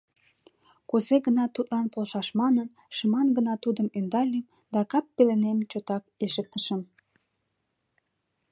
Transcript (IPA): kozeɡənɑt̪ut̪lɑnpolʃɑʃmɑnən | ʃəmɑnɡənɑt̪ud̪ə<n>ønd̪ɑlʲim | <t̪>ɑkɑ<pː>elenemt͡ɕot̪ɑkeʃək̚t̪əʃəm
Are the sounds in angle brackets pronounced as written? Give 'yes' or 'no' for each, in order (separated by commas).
no, no, yes